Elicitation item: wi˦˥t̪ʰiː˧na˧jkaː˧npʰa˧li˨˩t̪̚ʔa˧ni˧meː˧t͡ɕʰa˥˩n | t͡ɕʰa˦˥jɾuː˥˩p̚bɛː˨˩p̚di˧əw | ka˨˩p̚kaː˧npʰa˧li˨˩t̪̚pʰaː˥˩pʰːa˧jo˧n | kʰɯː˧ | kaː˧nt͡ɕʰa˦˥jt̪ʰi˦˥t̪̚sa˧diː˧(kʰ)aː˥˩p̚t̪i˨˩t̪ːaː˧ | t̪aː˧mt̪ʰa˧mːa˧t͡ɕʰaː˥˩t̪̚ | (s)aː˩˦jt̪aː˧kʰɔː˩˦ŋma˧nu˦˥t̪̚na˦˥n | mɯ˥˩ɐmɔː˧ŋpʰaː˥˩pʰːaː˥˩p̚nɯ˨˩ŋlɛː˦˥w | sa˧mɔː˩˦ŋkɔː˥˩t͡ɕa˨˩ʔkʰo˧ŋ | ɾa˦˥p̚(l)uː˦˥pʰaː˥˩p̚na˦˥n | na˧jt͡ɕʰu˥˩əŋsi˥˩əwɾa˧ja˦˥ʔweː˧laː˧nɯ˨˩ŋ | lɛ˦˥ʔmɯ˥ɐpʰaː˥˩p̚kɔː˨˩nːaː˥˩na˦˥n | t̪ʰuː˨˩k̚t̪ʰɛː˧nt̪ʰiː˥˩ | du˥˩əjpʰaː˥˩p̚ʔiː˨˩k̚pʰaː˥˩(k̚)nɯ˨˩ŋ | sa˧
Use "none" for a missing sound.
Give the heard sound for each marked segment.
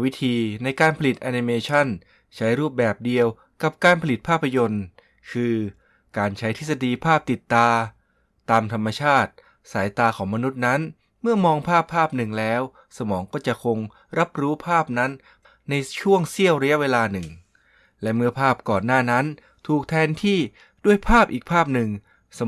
pʰ, s, ɾ, p̚

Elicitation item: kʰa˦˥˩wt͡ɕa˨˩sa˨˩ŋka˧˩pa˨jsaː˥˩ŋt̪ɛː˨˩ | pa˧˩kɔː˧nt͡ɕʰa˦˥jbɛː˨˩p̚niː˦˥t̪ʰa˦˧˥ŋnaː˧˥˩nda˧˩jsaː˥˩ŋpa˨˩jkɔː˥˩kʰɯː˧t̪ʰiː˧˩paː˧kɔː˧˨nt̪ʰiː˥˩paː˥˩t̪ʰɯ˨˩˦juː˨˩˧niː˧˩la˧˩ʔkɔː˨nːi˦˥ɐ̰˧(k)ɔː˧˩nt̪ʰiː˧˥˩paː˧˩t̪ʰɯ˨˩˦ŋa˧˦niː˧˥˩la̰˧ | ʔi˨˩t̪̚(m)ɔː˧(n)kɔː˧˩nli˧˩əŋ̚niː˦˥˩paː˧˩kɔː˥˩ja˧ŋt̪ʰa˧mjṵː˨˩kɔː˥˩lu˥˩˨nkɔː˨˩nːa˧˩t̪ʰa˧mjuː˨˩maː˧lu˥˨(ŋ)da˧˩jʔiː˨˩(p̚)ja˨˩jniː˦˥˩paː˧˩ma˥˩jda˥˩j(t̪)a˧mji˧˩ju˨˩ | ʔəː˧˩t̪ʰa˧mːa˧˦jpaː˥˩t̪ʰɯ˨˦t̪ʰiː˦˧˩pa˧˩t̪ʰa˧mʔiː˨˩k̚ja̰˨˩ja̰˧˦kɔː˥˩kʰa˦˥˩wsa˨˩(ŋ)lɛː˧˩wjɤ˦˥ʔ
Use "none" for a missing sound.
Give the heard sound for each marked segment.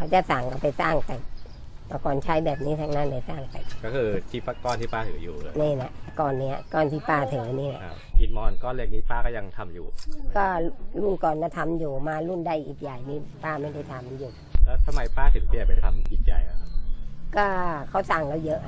k, m, n, n, k̚, t̪ʰ, ŋ

